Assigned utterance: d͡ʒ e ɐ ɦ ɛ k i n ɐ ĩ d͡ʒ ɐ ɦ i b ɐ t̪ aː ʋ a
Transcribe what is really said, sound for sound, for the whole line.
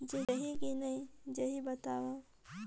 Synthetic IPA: d͡ʒ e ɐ ɦ i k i n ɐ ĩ d͡ʒ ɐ ɦ i b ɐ t̪ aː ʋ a